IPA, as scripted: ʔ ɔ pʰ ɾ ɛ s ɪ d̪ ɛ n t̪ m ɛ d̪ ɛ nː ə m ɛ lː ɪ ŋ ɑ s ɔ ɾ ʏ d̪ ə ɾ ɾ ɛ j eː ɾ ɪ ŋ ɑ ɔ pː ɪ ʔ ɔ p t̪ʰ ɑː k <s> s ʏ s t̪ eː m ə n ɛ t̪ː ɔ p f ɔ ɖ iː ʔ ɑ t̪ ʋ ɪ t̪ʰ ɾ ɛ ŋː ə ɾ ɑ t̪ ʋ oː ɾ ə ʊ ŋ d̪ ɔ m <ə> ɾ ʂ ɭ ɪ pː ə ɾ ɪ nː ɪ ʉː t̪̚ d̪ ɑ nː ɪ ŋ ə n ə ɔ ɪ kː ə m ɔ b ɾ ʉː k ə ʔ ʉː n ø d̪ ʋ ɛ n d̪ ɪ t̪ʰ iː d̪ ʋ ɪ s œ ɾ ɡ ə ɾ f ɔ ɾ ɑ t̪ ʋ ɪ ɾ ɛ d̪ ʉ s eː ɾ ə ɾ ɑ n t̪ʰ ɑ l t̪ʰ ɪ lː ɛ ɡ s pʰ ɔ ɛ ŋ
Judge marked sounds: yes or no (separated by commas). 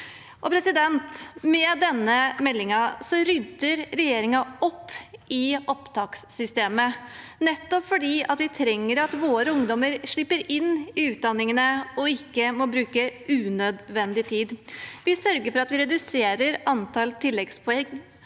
yes, yes